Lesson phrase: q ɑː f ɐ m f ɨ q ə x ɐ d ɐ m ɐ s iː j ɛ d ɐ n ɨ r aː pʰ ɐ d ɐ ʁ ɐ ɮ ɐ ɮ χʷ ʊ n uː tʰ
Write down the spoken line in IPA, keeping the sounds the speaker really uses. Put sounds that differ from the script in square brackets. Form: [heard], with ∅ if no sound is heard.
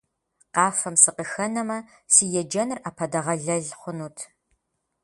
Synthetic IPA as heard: q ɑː f ɐ m [s] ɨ q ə x ɐ [n] ɐ m ɐ s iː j ɛ [d͡ʒ] ɐ n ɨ r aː pʰ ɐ d ɐ ʁ ɐ ɮ ɐ ɮ χʷ ʊ n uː tʰ